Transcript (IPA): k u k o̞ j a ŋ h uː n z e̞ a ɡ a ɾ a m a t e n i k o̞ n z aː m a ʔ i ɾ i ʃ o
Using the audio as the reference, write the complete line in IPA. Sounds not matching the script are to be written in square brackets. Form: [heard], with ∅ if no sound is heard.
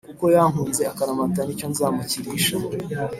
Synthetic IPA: k u k o̞ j a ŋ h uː n z e̞ a [k] a ɾ a m a t [a] n i [c] o̞ n z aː m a [c] i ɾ i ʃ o